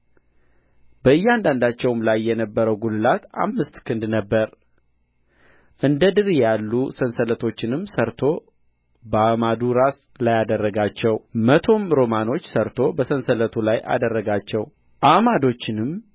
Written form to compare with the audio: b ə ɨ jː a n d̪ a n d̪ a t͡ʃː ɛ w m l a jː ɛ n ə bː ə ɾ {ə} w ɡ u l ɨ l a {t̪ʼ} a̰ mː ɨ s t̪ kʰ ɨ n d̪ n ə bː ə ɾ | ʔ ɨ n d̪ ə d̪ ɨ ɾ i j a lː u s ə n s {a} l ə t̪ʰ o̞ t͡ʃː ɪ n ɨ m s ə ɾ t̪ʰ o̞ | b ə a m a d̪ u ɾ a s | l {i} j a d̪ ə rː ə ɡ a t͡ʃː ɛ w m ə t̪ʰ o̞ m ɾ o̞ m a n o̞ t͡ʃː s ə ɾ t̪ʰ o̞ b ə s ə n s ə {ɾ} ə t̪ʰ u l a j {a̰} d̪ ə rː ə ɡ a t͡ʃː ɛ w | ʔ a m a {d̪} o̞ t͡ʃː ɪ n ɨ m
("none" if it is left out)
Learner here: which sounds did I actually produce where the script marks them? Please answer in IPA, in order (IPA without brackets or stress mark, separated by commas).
ə, t̪, ə, a, l, a̰, d̪